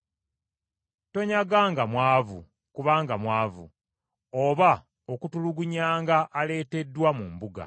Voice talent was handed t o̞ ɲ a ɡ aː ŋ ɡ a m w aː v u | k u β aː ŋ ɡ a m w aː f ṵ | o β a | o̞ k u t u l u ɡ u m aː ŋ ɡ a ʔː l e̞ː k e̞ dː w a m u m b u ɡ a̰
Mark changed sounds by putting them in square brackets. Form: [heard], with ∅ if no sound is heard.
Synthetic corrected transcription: t o̞ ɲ a ɡ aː ŋ ɡ a m w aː v u | k u β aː ŋ ɡ a m w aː [v] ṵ | o β a | o̞ k u t u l u ɡ u [ɲ] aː ŋ ɡ a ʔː l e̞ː [t] e̞ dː w a m u m b u ɡ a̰